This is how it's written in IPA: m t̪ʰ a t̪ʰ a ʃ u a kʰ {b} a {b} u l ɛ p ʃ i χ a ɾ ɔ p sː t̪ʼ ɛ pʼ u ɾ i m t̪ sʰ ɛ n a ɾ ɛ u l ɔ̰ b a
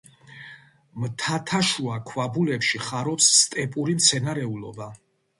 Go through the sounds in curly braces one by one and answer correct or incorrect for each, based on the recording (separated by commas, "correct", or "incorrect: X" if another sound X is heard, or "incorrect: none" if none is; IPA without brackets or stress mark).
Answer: incorrect: w, correct